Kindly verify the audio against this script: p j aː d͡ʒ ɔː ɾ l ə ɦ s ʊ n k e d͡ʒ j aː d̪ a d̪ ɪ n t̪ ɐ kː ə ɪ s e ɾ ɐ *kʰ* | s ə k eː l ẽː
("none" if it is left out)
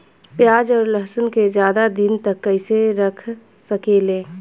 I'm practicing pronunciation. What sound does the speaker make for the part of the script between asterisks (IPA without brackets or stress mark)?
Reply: kʰ